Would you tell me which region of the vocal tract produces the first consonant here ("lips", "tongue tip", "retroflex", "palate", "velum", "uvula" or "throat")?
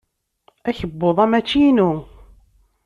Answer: palate